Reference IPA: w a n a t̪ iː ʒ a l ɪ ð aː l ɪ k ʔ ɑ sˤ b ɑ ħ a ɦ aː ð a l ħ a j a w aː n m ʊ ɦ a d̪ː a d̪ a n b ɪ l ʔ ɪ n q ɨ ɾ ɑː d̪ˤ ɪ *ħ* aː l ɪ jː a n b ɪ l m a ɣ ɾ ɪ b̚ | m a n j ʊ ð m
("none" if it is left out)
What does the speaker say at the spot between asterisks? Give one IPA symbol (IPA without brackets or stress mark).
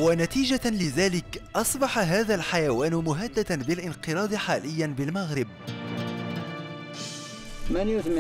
ħ